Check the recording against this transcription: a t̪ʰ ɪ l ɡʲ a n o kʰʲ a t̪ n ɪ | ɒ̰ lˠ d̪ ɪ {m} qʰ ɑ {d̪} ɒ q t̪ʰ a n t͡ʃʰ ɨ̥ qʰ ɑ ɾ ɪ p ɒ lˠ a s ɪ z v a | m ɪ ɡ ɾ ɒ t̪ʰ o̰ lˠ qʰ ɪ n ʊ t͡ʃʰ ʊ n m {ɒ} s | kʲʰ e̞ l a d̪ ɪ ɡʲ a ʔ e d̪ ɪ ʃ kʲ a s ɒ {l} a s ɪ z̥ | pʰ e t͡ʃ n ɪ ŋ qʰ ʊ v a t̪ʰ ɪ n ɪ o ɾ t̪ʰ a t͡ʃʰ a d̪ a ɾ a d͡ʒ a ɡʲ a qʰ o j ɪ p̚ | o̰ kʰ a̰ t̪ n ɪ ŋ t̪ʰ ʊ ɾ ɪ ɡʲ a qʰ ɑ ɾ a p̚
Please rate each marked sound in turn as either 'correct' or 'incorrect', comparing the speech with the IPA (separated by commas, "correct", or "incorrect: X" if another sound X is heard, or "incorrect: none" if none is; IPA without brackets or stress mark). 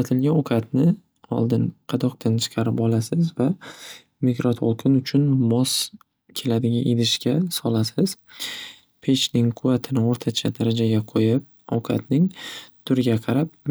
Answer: incorrect: n, correct, correct, correct